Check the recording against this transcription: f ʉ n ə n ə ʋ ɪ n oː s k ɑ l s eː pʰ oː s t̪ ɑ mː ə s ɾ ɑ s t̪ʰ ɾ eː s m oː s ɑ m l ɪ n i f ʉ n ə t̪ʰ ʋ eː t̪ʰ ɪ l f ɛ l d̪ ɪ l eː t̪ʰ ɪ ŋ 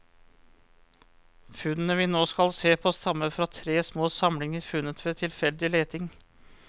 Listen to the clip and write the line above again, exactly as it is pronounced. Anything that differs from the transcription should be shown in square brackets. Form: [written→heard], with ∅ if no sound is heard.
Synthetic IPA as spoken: f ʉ n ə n ə ʋ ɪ n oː s k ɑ l s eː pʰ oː s t̪ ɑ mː ə [s→f] ɾ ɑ [s→∅] t̪ʰ ɾ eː s m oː s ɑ m l ɪ [n→ŋ] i f ʉ n ə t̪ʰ ʋ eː t̪ʰ ɪ l f ɛ l d̪ ɪ l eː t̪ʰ ɪ ŋ